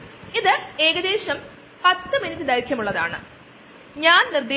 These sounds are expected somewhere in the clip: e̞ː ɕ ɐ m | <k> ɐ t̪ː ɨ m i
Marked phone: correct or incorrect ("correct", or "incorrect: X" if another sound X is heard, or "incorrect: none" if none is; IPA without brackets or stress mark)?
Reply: incorrect: p